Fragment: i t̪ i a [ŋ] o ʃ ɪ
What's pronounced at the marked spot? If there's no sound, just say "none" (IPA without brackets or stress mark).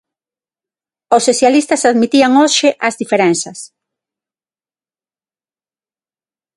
ŋ